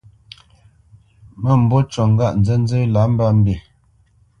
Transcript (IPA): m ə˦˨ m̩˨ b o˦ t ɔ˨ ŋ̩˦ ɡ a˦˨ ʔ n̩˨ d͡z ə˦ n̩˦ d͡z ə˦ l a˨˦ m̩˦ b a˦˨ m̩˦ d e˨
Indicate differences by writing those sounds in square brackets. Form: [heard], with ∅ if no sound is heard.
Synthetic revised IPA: m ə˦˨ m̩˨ b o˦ [t͡ʃ] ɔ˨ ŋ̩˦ ɡ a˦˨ ʔ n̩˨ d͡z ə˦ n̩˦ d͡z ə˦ l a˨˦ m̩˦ b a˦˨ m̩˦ [b] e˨